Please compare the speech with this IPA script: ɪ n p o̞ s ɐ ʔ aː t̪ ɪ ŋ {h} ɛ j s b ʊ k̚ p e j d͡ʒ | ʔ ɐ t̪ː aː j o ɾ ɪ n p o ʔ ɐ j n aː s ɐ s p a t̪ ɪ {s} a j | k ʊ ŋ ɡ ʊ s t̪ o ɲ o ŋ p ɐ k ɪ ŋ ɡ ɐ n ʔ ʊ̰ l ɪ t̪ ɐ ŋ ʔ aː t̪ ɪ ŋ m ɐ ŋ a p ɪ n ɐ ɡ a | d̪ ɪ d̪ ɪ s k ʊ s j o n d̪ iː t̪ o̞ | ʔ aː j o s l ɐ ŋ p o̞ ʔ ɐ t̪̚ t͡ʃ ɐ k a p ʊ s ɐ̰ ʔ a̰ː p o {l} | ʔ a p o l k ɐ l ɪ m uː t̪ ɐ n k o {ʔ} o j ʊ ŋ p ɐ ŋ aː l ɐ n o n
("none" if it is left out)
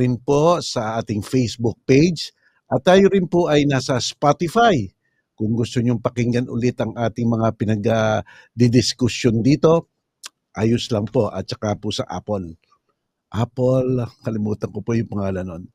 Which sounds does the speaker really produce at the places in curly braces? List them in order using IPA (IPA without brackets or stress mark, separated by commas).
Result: f, f, l, p